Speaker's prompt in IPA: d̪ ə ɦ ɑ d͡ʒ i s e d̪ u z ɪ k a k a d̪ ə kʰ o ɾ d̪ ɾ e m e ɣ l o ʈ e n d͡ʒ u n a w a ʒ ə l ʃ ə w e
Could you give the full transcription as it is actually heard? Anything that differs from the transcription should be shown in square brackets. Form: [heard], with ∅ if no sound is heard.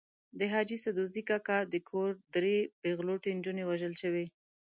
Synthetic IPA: d̪ ə ɦ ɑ d͡ʒ i s [a] d̪ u z [i] k a k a d̪ ə kʰ o ɾ d̪ ɾ e [b] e ɣ l o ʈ e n d͡ʒ u n [e] w a ʒ ə l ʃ ə w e